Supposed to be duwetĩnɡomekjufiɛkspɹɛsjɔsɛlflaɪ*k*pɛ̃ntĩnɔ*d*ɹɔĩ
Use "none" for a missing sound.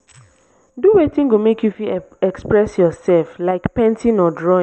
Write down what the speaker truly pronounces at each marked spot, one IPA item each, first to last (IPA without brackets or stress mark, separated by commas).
k, d